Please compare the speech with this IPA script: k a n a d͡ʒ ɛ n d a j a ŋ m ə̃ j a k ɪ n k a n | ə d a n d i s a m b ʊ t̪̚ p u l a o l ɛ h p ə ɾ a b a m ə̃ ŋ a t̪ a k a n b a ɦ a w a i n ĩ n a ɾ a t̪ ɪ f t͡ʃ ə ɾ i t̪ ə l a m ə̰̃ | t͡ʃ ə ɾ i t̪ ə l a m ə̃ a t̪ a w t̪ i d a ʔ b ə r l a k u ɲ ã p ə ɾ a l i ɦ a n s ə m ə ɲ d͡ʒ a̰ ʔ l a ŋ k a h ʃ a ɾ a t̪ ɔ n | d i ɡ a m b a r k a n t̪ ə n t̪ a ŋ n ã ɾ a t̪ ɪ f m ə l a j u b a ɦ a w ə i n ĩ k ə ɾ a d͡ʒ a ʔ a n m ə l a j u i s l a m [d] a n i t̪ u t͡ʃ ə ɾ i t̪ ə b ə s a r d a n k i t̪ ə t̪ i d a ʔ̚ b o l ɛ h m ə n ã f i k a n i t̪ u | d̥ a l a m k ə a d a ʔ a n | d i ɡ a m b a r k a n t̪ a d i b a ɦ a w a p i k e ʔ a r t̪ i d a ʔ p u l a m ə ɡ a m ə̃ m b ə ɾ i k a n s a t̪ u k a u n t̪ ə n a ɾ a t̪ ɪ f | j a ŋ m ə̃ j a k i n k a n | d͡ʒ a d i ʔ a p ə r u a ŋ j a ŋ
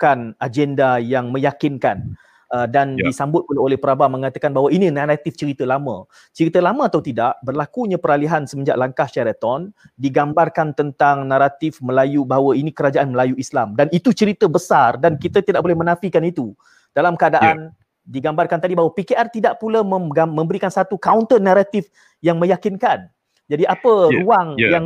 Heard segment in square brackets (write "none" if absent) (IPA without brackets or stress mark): d